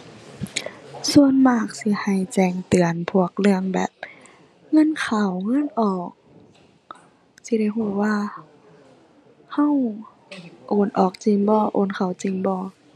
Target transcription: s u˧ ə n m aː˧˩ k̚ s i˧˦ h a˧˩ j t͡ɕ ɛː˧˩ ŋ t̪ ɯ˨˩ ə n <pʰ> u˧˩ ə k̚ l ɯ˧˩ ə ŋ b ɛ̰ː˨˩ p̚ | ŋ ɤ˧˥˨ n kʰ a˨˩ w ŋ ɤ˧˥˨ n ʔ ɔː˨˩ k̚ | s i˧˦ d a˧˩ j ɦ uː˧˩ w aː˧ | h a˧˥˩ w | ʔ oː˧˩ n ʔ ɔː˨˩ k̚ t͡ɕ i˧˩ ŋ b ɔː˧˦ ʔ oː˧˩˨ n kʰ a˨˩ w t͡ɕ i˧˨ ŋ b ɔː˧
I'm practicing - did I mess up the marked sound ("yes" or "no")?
no